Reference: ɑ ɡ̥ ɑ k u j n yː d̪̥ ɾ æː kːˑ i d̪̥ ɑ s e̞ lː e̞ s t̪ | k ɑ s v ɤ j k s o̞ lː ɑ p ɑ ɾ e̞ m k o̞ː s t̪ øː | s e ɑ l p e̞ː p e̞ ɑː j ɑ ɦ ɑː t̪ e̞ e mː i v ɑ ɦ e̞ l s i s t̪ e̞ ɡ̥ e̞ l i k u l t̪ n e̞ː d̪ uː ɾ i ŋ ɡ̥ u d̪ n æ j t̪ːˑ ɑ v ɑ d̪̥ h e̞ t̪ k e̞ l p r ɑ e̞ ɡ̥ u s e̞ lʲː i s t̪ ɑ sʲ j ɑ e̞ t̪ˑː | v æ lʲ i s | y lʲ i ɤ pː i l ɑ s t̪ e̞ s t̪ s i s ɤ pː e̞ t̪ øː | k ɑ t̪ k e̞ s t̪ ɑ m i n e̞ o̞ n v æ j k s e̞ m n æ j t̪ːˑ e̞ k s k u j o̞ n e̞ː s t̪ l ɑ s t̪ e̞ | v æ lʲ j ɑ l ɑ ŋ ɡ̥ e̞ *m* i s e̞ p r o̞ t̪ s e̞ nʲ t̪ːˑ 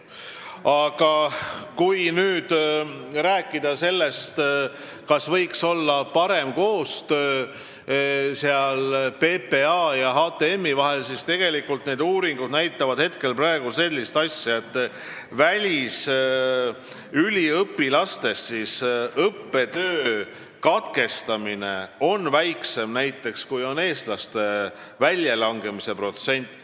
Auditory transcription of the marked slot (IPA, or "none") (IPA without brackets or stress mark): m